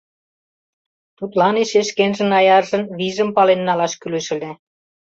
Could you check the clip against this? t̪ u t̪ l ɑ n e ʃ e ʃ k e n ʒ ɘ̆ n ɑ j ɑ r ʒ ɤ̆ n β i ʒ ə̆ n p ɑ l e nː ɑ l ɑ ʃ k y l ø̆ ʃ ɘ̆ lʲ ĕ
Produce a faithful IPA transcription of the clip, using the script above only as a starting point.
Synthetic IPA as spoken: t̪ u t̪ l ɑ n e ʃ e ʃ k e n ʒ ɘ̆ n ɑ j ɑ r ʒ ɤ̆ n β i ʒ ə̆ m p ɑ l e nː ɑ l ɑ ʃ k y l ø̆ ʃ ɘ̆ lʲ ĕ